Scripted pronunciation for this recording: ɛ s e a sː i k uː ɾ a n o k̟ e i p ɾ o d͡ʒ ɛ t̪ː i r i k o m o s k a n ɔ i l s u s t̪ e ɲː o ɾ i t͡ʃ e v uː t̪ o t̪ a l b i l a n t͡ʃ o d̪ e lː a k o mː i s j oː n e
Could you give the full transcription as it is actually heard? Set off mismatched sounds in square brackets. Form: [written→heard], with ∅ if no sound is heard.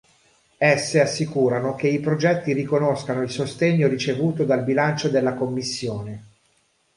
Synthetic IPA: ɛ [s→sː] e a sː i k uː ɾ a n o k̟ e i p ɾ o d͡ʒ ɛ t̪ː i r i k o [m→n] o s k a n [ɔ→o] i l s [u→o] s t̪ e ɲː o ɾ i t͡ʃ e v uː t̪ o [t̪→d̪] a l b i l a n t͡ʃ o d̪ e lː a k o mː i [s→sː] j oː n e

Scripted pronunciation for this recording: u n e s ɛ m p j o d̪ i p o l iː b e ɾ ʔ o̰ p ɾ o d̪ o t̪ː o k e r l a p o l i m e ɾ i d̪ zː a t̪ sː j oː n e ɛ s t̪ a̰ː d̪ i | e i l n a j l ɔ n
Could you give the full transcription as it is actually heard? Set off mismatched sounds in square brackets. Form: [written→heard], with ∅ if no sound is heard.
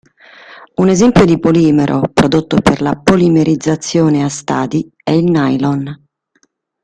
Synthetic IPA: u n e [s→z] ɛ m p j o d̪ i p o l iː [b→m] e ɾ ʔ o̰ p ɾ o d̪ o t̪ː o [k→p] e r l a p o l i m e ɾ i d̪ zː a t̪ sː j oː n e [ɛ→a] s t̪ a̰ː d̪ i | [e→ɛ] i l n a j l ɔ n

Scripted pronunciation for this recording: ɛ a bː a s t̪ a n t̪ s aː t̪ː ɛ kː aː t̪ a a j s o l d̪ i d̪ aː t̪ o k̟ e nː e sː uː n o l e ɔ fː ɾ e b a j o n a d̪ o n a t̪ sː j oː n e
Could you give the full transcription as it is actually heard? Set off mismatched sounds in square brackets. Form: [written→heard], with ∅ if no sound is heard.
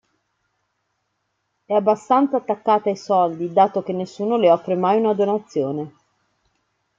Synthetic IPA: ɛ a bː a s t̪ a n t̪ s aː t̪ː [ɛ→a] kː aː t̪ a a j s [o→ɔ] l d̪ i d̪ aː t̪ o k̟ e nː e sː uː n o l e ɔ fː ɾ e [b→m] a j [o→u] n a d̪ o n a t̪ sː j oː n e

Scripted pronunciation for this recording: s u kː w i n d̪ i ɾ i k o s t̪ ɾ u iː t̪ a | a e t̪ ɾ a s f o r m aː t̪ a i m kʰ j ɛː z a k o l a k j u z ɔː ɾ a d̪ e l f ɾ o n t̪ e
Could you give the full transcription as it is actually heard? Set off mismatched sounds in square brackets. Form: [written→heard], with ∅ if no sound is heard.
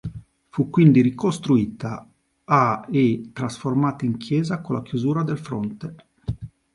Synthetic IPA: [s→f] u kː w i n d̪ i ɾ i k o s t̪ ɾ u iː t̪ a | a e t̪ ɾ a s f o r m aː t̪ a i [m→ŋ] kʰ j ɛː z a k o l a k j u z [ɔː→uː] ɾ a d̪ e l f ɾ o n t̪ e

